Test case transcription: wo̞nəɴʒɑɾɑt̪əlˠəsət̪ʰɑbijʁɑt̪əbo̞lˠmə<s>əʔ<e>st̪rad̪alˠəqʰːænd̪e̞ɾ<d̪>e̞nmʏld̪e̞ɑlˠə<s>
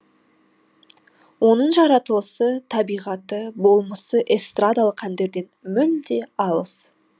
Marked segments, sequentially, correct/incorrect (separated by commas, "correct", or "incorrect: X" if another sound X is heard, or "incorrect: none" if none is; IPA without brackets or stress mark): correct, correct, correct, correct